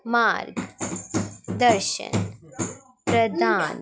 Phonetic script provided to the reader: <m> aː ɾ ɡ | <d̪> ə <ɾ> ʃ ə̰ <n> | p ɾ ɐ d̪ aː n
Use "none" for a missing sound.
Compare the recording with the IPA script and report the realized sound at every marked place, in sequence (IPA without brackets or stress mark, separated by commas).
m, d̪, ɾ, n